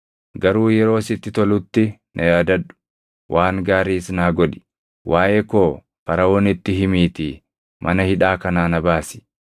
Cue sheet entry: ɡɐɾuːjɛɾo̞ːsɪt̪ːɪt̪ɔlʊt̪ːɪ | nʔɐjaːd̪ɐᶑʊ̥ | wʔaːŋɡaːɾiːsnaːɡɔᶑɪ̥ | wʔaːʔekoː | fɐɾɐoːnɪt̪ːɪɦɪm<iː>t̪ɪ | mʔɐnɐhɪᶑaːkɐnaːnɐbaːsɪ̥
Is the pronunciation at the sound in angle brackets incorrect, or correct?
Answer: correct